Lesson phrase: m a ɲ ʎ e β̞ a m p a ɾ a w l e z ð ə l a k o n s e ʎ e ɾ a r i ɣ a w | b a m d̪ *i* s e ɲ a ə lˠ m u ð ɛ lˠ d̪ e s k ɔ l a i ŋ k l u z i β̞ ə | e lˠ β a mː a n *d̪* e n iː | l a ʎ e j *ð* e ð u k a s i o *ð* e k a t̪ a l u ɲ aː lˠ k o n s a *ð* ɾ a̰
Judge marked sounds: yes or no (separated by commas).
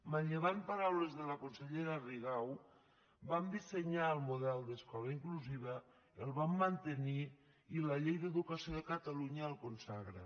yes, no, yes, yes, no